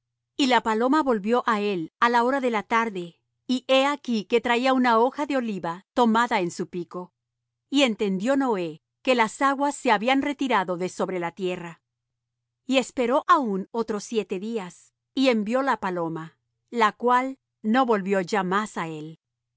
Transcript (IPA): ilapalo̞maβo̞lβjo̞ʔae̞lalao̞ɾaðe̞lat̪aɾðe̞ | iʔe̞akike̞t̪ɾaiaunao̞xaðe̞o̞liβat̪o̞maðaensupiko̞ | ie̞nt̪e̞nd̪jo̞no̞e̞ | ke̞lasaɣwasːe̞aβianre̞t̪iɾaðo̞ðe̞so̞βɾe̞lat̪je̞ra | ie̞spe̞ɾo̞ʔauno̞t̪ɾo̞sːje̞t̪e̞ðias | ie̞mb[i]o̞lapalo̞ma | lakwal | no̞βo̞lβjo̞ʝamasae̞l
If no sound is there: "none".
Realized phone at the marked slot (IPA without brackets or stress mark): j